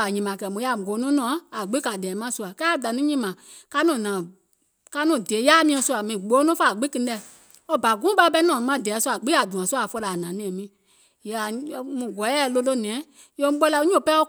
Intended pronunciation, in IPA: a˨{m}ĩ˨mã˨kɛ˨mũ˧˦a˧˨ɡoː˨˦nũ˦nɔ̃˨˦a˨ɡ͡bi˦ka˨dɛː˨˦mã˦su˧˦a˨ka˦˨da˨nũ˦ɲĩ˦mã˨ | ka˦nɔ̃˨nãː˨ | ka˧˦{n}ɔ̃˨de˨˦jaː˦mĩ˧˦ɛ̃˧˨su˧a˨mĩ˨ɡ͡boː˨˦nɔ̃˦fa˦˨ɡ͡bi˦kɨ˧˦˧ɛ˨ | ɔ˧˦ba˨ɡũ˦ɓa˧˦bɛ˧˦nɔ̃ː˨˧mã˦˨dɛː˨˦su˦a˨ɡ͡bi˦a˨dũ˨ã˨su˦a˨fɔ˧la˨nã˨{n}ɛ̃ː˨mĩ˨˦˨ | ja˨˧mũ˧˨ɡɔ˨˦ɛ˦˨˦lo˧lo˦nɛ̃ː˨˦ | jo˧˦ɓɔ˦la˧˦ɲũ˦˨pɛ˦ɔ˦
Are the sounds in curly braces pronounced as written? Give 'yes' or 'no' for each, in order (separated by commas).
no, yes, yes